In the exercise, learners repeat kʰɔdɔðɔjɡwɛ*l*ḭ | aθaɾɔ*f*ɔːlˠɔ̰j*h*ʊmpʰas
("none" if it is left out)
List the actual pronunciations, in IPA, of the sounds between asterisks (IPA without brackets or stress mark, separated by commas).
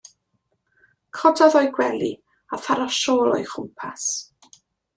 l, ʃ, χ